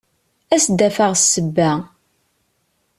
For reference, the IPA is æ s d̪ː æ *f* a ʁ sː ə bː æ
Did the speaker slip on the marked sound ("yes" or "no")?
no